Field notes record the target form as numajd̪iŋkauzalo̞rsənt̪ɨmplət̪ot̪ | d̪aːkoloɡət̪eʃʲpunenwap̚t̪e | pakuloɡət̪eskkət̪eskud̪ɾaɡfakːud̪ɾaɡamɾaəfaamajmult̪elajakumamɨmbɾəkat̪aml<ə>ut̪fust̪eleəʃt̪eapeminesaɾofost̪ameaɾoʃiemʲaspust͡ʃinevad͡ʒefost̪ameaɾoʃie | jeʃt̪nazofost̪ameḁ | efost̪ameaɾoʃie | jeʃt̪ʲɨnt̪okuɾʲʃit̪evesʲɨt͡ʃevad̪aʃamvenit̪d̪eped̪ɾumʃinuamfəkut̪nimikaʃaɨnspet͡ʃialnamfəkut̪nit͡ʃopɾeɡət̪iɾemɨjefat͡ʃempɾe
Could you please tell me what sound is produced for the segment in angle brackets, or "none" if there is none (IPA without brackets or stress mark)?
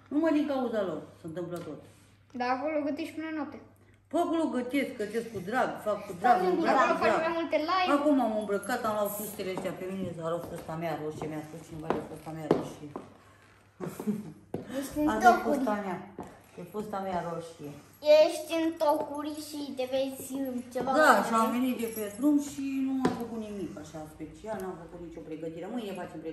a